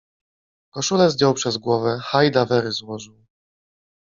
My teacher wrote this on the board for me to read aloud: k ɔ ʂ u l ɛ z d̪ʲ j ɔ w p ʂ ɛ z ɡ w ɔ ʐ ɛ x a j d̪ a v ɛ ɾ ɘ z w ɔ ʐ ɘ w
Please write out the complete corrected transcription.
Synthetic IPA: k ɔ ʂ u l ɛ z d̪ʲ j ɔ w p ʂ ɛ z ɡ w ɔ v ɛ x a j d̪ a v ɛ ɾ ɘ z w ɔ ʐ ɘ w